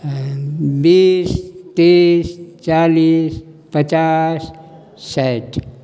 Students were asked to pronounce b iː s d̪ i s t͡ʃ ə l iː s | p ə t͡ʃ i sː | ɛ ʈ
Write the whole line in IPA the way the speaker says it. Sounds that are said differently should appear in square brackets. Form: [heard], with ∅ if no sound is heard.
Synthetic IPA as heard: b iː s [t̪] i s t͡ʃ [a] l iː s | p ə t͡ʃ [a] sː | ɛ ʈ